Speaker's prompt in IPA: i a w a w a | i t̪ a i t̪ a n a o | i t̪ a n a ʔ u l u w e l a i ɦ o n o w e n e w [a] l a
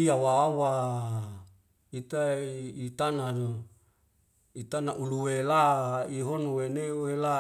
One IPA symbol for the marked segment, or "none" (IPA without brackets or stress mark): e